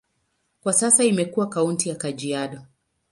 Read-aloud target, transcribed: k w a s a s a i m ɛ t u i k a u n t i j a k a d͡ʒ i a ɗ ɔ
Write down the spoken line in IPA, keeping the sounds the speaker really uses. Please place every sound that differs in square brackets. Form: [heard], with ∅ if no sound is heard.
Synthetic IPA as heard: k w a s a s a i m ɛ [k] u [a] k a u n t i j a k a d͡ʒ i a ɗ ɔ

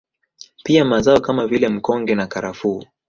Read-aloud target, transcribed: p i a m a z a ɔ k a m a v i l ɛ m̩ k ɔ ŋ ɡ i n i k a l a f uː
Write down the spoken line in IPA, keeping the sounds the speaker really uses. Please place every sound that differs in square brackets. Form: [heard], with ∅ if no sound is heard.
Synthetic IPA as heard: p i a m a z a ɔ k a m a v i l ɛ m̩ k ɔ ŋ ɡ [ɛ] n [a] k a [ɾ] a f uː

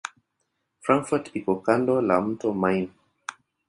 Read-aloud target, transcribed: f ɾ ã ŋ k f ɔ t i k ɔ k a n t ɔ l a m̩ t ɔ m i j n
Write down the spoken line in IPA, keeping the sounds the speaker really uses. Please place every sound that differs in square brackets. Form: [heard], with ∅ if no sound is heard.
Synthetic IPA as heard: f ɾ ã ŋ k f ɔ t i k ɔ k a n [d] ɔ l a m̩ t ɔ m [a] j n

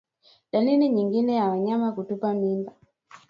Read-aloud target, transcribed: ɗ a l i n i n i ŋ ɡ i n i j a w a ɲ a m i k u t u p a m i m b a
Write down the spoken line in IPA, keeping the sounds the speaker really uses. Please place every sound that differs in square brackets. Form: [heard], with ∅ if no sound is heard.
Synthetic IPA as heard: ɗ a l i n i [ɲ] i ŋ ɡ i n [ɛ] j a w a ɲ a m [a] k u t u p a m i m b a

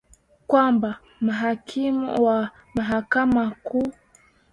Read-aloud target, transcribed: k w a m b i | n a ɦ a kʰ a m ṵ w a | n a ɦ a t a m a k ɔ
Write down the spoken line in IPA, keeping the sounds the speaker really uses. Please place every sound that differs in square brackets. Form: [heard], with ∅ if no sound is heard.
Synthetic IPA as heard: k w a m b [a] | [m] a ɦ a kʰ [i] m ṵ w a | [m] a ɦ a [k] a m a k [u]

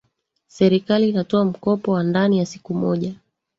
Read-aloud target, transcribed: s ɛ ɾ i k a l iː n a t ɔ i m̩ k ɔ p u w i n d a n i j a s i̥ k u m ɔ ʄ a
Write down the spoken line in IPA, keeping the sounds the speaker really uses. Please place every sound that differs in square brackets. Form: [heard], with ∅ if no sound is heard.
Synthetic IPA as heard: s ɛ ɾ i k a l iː n a t ɔ [a] m̩ k ɔ p [ɔ] w [a] n d a n i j a s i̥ k u m ɔ ʄ a

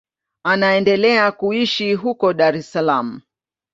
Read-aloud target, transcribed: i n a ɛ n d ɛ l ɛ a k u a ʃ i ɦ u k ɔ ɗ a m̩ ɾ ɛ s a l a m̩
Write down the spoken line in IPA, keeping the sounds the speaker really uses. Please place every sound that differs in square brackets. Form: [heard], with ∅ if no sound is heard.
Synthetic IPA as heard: [a] n a ɛ n d ɛ l ɛ a k u [i] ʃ i ɦ u k ɔ ɗ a [∅] ɾ ɛ s a l a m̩

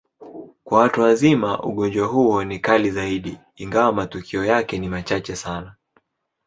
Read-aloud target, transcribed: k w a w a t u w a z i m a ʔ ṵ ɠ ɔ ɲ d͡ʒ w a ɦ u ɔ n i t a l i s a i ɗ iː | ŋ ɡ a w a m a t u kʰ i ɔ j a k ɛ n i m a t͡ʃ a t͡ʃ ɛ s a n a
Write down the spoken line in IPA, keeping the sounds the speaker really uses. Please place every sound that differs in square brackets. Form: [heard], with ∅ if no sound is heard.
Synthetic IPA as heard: k w a w a t u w a z i m a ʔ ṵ ɠ ɔ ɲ d͡ʒ w a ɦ u ɔ n i [k] a l i [z] a i ɗ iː | ŋ ɡ a w a m a t u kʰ i ɔ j a k ɛ n i m a t͡ʃ a t͡ʃ ɛ s a n a

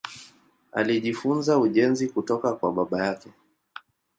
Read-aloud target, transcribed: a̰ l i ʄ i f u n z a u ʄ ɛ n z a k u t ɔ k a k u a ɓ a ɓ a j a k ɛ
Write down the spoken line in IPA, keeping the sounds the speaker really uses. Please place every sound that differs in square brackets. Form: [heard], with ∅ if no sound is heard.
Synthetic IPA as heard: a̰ l i ʄ i f u n z a u ʄ ɛ n z [i] k u t ɔ k a k [w] a ɓ a ɓ a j a k ɛ

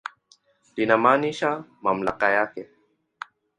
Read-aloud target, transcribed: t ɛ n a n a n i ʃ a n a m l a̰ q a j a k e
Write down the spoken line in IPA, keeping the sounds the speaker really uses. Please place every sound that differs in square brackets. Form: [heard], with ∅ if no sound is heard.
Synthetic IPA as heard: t [i] n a [m] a n i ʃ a [m] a m l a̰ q a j a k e

